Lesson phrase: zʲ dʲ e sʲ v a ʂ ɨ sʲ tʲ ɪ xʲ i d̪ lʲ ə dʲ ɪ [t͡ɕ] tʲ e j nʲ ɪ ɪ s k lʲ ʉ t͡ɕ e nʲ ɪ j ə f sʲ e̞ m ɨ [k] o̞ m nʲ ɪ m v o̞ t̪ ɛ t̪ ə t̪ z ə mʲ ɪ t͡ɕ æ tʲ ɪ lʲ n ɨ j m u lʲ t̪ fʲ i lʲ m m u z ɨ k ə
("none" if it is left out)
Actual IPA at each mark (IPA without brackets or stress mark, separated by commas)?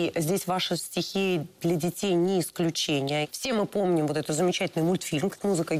none, p